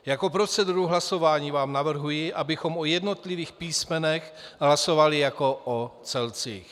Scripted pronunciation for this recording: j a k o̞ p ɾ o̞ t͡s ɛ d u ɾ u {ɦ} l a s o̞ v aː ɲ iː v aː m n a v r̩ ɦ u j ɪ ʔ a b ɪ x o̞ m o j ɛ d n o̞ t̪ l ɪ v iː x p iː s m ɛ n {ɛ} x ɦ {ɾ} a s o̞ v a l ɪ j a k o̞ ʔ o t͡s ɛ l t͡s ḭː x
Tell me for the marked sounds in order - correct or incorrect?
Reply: correct, correct, incorrect

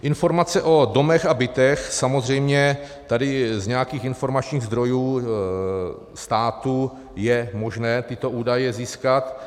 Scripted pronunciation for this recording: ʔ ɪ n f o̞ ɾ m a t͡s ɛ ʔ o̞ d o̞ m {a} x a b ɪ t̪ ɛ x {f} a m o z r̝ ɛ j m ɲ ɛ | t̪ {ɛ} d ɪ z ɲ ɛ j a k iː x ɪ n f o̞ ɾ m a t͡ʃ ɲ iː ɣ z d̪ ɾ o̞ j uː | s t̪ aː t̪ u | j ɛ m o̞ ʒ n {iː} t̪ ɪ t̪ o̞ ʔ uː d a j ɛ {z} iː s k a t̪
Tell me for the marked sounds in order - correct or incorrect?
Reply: incorrect, incorrect, incorrect, incorrect, correct

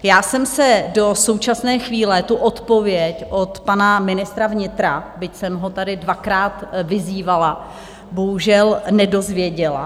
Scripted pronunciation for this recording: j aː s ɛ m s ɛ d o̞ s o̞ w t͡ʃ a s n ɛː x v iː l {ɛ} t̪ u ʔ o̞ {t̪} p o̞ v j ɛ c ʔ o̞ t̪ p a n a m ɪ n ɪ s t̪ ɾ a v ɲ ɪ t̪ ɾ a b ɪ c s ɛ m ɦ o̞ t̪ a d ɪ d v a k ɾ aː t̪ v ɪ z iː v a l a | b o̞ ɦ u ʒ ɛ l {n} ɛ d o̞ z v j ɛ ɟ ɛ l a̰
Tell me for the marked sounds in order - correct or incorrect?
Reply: correct, correct, correct

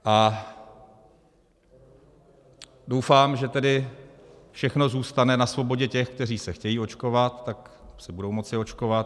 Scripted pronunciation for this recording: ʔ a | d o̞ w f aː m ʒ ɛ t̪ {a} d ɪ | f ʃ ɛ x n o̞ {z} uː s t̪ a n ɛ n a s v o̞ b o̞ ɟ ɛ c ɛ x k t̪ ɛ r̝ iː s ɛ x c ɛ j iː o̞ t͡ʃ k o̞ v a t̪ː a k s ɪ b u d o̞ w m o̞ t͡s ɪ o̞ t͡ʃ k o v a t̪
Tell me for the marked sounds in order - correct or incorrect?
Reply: incorrect, correct

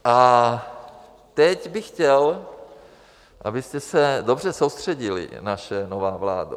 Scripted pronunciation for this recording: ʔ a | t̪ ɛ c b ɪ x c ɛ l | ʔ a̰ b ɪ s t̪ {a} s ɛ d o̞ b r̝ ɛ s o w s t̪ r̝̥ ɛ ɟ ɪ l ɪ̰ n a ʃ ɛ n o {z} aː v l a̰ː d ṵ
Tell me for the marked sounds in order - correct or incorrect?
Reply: incorrect, incorrect

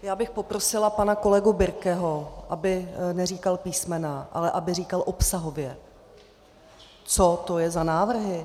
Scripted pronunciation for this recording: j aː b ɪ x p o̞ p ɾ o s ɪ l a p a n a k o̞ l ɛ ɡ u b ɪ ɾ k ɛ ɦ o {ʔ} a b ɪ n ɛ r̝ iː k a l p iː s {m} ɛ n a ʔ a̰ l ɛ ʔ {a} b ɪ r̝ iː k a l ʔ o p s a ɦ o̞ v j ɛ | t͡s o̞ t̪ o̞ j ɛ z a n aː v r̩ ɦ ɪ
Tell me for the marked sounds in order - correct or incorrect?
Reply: correct, correct, correct

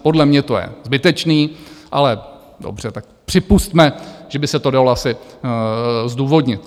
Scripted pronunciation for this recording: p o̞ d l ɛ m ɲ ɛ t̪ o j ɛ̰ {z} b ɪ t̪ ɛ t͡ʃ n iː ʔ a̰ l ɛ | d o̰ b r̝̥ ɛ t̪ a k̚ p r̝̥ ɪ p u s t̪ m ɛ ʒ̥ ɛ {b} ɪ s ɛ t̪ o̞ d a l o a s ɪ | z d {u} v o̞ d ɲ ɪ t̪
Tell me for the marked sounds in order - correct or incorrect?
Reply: correct, correct, incorrect

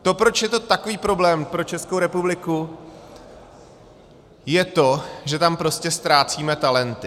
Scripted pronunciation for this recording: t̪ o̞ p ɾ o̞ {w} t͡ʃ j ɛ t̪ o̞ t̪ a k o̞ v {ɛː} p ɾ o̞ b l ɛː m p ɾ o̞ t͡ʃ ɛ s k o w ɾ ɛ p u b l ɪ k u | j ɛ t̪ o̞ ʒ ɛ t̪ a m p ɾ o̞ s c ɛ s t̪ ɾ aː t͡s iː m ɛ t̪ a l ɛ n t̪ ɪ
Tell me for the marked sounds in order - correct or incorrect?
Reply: incorrect, incorrect

